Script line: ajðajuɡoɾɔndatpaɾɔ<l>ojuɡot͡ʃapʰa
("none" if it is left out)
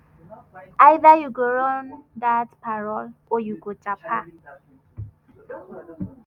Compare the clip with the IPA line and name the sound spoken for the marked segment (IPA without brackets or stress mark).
l